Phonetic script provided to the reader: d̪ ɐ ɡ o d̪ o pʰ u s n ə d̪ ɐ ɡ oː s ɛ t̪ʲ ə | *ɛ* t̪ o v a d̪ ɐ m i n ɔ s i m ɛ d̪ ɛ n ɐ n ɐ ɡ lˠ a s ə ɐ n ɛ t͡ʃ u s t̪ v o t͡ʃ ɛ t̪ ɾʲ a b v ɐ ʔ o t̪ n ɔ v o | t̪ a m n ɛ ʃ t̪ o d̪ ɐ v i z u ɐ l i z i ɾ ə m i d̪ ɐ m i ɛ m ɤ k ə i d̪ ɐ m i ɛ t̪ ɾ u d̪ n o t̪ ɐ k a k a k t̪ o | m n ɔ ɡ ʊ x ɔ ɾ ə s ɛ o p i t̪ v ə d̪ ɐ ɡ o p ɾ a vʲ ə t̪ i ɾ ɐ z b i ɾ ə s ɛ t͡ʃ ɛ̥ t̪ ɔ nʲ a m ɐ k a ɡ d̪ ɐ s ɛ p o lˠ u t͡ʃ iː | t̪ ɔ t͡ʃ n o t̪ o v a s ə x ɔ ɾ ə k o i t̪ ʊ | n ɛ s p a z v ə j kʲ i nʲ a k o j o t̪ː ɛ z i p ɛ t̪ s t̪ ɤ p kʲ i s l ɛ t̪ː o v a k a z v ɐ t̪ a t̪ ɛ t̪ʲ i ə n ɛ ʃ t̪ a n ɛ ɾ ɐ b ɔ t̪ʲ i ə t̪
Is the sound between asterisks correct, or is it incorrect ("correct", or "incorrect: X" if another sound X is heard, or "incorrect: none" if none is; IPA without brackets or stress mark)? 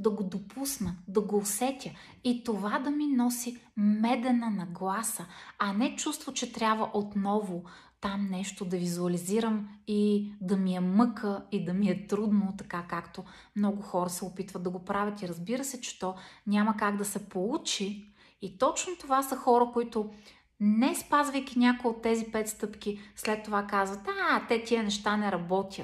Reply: incorrect: i